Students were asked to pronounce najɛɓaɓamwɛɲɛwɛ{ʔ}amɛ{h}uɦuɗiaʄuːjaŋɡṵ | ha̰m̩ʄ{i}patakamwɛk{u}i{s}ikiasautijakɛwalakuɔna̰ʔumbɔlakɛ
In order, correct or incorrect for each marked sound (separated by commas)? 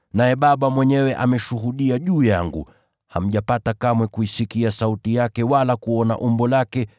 correct, incorrect, incorrect, correct, correct